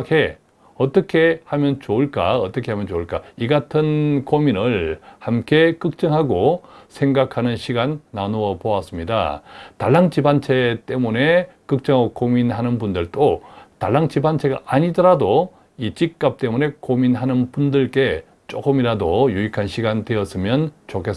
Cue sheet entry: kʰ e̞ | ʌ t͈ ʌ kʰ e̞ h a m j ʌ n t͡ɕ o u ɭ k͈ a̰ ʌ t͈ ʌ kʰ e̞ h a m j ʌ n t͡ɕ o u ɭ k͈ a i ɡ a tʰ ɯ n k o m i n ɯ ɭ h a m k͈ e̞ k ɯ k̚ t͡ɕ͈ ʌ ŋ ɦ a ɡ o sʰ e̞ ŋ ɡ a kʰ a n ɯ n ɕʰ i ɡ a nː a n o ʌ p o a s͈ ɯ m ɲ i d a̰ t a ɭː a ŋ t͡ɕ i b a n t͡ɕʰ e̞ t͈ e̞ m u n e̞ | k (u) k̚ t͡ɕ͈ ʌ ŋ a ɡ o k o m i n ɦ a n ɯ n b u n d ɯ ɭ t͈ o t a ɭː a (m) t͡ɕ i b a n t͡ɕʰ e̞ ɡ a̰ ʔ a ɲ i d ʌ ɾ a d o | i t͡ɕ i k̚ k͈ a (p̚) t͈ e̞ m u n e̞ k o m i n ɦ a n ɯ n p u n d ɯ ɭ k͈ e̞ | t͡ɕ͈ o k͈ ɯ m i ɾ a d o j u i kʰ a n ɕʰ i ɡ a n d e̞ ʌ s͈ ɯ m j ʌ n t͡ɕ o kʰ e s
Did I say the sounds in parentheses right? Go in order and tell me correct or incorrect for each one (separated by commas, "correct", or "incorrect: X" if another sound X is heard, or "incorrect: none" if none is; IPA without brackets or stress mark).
incorrect: ɯ, incorrect: ŋ, correct